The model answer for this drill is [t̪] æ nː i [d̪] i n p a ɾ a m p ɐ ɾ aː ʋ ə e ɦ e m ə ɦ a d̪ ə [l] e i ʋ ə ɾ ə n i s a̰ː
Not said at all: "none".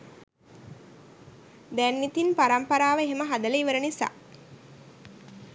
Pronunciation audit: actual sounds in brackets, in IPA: d̪, t̪, l

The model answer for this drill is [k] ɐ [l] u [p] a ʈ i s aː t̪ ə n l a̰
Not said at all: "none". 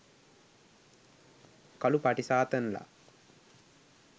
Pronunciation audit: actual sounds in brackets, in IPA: k, l, p

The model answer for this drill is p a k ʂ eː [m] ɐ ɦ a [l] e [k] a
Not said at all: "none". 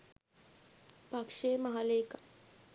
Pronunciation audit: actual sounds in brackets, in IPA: m, l, k

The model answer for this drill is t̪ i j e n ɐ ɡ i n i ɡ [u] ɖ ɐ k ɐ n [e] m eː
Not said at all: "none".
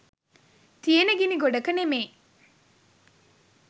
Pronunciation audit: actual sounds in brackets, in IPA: o, e

